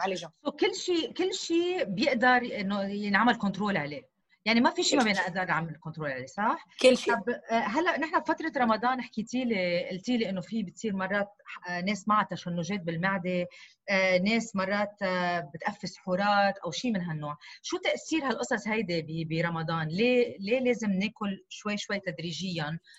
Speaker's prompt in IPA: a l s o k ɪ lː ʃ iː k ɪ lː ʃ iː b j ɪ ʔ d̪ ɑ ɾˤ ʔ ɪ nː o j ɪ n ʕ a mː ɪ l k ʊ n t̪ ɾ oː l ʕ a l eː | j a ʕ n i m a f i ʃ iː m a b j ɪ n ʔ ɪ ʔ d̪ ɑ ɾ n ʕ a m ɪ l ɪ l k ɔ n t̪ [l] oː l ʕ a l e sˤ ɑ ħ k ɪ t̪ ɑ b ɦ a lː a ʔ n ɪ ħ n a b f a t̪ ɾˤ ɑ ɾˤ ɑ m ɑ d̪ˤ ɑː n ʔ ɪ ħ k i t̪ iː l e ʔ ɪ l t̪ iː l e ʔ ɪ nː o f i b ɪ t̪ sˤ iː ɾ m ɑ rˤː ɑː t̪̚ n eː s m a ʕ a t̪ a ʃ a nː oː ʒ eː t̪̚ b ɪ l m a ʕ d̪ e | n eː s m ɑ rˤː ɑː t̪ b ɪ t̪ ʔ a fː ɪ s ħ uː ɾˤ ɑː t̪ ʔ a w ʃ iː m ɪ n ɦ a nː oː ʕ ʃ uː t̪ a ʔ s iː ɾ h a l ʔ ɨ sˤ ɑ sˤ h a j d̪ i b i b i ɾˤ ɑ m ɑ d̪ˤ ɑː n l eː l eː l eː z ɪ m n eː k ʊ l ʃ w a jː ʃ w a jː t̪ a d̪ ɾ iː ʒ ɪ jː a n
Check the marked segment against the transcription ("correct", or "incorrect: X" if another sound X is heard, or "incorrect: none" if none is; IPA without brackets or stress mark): incorrect: ɾ